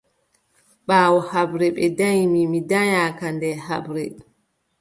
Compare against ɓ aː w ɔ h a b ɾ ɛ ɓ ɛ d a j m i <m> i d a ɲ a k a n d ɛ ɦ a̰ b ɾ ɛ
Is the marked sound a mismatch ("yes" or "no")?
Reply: no